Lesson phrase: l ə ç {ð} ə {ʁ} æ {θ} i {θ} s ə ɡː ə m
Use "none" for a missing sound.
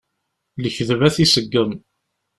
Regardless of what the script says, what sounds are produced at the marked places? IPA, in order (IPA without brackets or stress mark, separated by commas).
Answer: ð, v, θ, none